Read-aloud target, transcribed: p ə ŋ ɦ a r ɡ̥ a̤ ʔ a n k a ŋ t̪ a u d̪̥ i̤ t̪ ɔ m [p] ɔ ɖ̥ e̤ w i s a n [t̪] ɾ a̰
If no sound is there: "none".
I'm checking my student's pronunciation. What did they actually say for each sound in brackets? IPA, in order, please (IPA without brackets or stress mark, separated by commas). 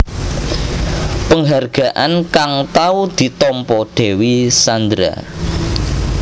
p, d̪